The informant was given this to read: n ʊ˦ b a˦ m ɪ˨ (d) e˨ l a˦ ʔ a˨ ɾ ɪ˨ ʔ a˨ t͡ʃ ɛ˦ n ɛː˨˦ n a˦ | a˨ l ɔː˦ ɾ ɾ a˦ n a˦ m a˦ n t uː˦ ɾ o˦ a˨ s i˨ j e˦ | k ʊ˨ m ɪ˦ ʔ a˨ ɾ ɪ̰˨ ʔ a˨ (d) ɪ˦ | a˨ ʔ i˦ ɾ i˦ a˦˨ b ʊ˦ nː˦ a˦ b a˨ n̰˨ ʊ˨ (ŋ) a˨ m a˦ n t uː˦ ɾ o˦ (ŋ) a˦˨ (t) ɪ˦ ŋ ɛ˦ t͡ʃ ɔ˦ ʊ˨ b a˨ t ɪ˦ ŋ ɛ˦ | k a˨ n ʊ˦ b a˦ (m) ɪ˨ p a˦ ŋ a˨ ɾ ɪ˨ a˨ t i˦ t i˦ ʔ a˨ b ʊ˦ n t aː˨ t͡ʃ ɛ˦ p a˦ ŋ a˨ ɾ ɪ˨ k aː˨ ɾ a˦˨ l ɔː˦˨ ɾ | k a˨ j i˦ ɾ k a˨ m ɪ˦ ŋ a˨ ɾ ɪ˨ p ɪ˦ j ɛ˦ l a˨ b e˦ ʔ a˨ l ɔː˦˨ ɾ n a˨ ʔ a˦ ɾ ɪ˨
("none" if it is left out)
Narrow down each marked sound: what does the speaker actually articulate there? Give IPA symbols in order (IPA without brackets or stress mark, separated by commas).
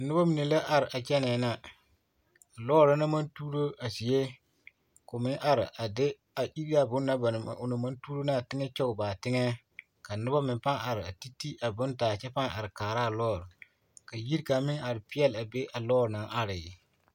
n, d, n, n, t, m